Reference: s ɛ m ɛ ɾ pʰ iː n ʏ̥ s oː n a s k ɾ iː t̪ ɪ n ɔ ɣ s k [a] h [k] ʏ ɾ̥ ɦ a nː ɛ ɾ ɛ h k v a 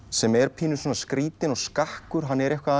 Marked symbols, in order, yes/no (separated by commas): yes, yes